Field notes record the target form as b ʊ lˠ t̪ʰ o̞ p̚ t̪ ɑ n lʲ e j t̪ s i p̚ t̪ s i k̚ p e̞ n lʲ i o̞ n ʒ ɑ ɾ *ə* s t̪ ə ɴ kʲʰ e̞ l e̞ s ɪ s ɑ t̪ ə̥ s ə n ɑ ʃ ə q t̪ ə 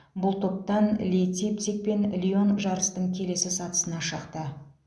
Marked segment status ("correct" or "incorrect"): correct